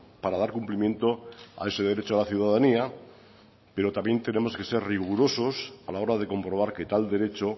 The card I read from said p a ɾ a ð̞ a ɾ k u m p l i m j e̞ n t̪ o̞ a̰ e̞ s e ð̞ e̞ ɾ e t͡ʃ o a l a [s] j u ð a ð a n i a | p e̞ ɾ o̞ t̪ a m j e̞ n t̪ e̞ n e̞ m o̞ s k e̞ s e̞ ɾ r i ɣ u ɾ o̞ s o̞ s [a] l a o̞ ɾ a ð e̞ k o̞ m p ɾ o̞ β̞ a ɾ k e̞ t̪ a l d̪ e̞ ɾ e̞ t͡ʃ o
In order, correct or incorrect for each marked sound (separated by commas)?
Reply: incorrect, correct